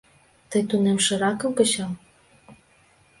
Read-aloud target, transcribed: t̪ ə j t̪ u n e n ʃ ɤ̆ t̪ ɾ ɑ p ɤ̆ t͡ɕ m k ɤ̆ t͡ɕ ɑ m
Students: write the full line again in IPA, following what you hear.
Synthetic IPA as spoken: t̪ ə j t̪ u n e m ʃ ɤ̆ ɾ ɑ k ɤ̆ m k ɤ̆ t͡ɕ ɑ m